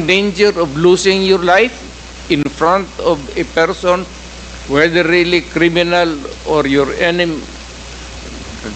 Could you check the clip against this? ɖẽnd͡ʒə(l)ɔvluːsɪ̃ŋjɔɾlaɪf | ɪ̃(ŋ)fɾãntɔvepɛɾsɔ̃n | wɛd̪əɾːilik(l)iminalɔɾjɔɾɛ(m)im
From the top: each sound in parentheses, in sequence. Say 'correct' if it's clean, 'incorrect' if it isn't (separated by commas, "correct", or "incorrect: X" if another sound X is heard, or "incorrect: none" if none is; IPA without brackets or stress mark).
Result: incorrect: ɾ, incorrect: n, incorrect: ɾ, incorrect: n